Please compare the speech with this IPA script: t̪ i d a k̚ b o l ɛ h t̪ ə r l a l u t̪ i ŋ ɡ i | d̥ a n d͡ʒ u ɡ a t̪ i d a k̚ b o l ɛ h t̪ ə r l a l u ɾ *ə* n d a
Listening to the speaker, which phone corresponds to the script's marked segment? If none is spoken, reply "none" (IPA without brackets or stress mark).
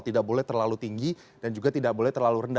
ə